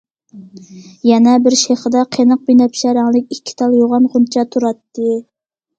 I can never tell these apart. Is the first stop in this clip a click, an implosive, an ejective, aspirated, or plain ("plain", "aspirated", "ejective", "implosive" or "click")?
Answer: plain